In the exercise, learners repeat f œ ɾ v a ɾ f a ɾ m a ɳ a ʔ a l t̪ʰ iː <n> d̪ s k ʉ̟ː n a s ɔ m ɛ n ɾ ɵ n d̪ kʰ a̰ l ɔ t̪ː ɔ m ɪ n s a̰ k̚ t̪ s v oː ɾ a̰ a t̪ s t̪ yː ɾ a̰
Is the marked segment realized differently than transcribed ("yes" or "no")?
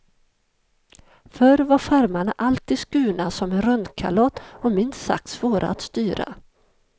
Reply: yes